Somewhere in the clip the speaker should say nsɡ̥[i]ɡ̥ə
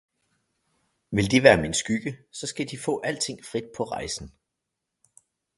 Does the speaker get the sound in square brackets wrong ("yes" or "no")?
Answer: yes